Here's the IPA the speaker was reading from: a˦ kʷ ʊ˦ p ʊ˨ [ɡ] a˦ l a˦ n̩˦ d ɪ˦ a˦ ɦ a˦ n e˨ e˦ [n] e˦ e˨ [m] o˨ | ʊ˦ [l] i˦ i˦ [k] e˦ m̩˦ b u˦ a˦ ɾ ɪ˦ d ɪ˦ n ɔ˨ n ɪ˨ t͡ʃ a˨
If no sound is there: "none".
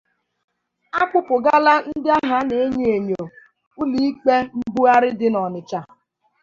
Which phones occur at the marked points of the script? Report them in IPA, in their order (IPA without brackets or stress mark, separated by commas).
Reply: ɡ, ɲ, ɲ, l, k͡p